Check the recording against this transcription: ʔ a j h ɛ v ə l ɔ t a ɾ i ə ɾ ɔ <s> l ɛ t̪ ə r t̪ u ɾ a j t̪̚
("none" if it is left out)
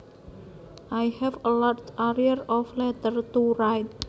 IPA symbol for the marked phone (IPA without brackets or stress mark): f